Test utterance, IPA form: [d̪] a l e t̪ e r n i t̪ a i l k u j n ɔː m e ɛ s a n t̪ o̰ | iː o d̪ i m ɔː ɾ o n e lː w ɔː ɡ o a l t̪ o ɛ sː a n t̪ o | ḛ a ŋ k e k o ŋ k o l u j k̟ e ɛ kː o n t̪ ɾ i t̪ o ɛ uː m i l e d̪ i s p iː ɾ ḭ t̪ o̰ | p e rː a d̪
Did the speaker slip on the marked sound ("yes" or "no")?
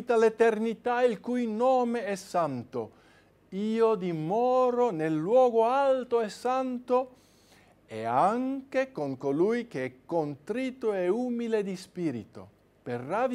yes